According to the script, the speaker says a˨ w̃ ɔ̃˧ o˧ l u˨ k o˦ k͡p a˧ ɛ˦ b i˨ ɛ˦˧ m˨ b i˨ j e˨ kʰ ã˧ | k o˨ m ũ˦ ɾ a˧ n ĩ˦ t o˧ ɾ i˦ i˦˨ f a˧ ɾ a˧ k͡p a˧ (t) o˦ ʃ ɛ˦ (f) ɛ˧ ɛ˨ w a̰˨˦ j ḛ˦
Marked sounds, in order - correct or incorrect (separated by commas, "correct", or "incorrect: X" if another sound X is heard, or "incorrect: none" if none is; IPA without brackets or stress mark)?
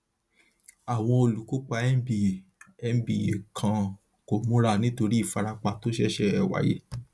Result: correct, incorrect: ʃ